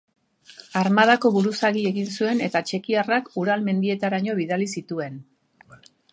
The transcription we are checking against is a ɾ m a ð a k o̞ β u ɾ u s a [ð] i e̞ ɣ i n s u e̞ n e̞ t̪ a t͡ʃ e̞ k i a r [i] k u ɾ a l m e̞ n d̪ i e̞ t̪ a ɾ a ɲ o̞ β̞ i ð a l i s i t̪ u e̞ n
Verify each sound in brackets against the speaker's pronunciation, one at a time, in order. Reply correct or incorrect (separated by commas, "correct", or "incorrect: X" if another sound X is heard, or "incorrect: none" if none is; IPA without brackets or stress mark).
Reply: incorrect: ɣ, incorrect: a